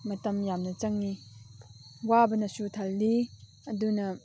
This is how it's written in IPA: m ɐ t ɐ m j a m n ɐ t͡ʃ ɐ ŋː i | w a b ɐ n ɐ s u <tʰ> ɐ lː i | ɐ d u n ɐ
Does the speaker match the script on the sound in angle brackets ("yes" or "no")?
yes